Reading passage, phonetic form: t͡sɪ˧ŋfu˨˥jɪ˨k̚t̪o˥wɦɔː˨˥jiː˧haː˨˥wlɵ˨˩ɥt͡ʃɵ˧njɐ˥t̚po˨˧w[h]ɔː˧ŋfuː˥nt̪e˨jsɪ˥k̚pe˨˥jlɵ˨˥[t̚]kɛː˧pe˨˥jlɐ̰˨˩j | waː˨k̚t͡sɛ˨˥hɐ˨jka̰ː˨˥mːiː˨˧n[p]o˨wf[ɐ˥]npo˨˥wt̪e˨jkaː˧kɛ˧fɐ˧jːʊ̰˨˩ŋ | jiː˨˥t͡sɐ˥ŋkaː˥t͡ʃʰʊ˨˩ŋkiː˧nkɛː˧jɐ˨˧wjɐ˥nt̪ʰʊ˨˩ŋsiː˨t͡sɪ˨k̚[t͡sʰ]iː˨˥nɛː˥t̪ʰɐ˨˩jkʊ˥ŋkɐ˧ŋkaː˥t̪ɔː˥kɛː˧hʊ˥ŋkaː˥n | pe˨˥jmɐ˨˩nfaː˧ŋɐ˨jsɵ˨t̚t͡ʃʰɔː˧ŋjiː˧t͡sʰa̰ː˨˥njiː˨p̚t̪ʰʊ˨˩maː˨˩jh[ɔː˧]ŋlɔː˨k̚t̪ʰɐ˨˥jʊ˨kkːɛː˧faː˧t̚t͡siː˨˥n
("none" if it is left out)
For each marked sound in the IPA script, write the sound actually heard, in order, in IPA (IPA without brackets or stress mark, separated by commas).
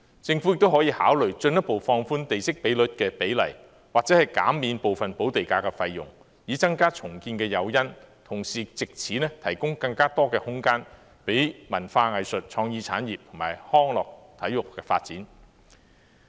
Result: f, t̚, p, ɐ˨, t͡sʰ, ɔː˥